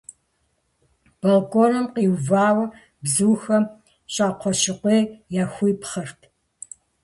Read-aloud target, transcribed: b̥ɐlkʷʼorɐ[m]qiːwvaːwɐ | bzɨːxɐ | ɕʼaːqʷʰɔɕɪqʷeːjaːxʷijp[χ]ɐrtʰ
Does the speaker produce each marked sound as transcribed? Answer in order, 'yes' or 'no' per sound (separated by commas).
yes, yes